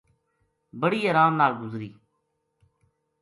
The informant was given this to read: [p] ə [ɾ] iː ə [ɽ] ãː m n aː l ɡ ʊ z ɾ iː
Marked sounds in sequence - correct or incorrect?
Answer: incorrect: b, incorrect: ɽ, incorrect: ɾ

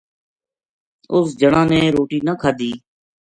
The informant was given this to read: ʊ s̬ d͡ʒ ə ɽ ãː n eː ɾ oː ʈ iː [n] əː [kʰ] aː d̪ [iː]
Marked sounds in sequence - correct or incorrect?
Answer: correct, correct, correct

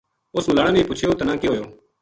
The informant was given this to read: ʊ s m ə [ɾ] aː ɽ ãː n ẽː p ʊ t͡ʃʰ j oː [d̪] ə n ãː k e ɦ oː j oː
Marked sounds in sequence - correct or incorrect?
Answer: incorrect: l, incorrect: t̪

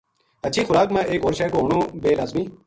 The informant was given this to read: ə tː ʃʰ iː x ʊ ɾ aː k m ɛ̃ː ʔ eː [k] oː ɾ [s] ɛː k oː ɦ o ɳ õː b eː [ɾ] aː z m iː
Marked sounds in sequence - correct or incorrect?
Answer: correct, incorrect: ʃ, incorrect: l

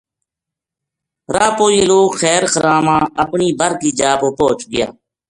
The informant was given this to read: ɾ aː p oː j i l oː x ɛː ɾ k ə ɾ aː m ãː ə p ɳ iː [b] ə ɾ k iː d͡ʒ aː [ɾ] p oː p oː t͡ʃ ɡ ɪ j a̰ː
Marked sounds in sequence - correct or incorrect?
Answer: correct, incorrect: none

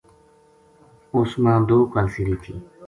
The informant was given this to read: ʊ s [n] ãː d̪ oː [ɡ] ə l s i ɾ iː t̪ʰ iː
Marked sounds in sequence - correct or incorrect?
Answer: incorrect: m, incorrect: k

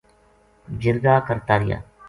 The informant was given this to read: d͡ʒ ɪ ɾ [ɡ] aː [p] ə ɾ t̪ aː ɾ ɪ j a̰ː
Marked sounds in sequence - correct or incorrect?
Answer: correct, incorrect: k

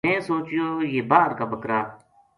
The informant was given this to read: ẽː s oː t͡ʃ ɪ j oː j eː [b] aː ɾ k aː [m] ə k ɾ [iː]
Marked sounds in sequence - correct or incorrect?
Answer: correct, incorrect: b, incorrect: aː

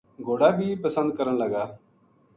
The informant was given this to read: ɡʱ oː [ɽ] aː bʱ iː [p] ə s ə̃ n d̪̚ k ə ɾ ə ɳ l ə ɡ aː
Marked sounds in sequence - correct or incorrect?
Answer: correct, correct

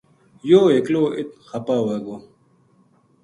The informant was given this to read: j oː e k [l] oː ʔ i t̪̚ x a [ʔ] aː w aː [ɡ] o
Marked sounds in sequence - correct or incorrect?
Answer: correct, incorrect: p, correct

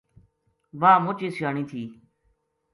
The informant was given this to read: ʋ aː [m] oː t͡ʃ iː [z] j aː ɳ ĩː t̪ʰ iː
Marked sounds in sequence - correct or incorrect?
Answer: correct, incorrect: s

